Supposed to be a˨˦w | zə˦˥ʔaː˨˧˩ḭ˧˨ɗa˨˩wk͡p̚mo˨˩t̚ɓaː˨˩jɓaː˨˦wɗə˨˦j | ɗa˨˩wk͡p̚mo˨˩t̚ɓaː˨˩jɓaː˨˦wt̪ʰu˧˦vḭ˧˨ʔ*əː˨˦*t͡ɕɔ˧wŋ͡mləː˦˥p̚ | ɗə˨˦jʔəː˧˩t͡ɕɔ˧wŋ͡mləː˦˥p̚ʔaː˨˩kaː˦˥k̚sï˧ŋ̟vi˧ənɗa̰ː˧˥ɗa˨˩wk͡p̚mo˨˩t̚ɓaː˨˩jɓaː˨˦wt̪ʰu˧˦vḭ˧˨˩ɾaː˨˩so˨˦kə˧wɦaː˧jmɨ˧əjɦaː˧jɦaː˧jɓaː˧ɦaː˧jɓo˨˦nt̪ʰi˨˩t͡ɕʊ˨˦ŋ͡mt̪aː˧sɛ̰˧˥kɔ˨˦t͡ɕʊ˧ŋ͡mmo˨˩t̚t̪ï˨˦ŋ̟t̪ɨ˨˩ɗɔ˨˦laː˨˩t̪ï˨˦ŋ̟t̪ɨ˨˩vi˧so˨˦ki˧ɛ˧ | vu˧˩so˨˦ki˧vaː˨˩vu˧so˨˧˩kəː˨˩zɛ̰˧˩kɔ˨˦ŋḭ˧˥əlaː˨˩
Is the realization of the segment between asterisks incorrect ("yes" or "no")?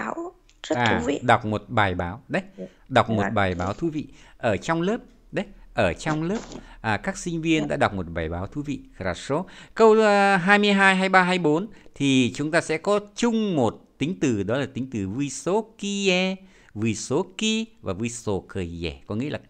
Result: yes